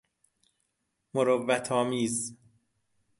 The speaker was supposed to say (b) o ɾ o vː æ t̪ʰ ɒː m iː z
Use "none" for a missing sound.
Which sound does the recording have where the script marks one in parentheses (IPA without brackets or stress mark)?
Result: m